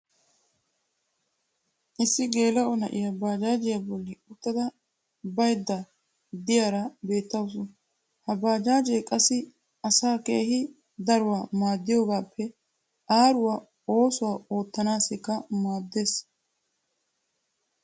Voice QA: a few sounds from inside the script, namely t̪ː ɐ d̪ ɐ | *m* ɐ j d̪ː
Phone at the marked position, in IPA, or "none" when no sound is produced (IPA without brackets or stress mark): b